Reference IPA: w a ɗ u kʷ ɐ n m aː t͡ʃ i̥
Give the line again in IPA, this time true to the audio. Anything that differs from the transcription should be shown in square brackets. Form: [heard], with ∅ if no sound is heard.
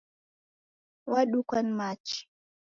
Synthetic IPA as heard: w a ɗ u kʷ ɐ n m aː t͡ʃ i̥